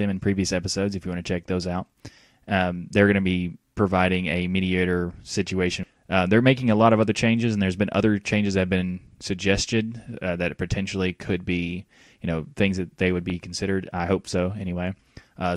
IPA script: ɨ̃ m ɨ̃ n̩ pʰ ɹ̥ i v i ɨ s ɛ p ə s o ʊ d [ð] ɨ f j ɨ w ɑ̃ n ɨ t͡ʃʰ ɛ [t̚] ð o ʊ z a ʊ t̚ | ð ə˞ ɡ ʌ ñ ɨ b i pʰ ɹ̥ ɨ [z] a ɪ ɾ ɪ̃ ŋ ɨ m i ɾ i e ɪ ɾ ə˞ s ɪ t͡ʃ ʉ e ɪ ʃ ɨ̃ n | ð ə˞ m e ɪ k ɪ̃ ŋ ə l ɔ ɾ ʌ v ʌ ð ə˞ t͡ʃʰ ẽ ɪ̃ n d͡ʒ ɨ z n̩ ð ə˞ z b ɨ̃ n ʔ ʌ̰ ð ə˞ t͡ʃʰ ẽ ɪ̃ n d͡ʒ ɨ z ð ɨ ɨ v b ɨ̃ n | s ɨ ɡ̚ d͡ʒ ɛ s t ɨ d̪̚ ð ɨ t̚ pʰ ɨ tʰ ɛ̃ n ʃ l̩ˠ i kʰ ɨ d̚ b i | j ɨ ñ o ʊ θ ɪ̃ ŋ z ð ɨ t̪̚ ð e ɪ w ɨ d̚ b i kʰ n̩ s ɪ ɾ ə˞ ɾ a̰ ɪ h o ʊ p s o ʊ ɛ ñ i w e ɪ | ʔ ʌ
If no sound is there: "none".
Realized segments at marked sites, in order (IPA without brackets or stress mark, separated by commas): z, k̚, v